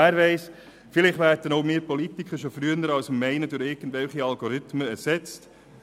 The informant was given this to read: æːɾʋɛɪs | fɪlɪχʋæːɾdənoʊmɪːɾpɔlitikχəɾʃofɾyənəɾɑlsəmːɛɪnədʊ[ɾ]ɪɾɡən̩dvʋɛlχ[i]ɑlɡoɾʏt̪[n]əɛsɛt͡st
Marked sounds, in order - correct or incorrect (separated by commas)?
correct, correct, incorrect